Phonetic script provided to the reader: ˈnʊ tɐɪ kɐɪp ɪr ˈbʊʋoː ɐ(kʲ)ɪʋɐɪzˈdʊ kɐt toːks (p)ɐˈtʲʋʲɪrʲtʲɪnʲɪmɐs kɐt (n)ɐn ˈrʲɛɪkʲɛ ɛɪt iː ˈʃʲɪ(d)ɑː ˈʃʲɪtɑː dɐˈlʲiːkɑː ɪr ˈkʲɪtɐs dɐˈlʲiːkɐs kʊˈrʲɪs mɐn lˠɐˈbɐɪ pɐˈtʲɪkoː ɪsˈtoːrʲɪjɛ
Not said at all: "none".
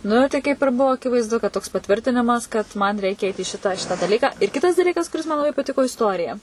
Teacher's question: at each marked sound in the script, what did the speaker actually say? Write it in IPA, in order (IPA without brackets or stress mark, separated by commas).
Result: kʲ, p, m, t